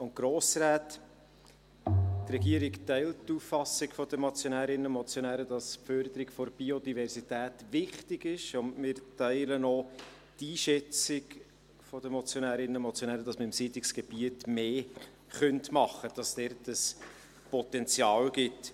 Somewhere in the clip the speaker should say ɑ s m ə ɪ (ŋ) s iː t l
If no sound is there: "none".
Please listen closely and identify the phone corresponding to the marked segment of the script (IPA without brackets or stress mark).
m